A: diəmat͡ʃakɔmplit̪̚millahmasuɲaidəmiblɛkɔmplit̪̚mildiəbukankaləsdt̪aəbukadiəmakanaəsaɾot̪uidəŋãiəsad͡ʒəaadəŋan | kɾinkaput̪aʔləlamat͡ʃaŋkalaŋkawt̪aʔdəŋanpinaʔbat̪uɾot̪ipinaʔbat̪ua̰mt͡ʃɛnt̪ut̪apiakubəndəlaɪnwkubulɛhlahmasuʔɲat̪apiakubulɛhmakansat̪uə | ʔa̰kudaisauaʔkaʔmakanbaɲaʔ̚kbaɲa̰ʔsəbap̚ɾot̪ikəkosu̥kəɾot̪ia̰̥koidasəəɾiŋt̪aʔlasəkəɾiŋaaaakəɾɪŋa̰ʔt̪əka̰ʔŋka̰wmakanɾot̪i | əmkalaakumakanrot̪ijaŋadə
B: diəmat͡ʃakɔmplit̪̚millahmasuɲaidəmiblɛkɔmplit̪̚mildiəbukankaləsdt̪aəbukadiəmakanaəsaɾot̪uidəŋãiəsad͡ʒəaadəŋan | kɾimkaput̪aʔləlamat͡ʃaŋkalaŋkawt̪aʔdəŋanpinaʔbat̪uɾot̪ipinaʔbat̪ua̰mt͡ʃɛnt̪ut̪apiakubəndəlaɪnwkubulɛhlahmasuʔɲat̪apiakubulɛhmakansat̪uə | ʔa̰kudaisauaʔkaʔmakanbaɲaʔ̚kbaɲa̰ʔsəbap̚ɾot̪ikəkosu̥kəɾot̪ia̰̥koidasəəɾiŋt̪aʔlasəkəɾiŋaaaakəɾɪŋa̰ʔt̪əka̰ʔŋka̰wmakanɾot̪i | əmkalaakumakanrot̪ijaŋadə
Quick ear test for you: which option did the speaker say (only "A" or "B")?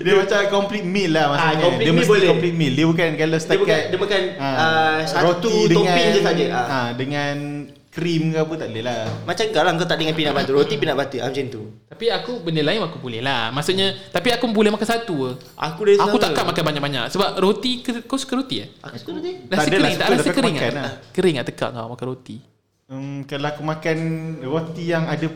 B